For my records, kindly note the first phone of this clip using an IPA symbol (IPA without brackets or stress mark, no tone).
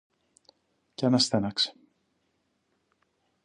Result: c